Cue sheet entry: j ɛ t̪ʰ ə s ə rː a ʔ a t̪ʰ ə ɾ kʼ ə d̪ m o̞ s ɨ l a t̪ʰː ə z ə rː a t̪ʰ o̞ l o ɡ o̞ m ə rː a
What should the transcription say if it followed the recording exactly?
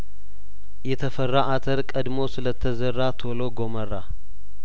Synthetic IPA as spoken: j ɛ t̪ʰ ə f ə rː a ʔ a t̪ʰ ə ɾ kʼ ə d̪ m o̞ s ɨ l ə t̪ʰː ə z ə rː a t̪ʰ o̞ l o ɡ o̞ m ə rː a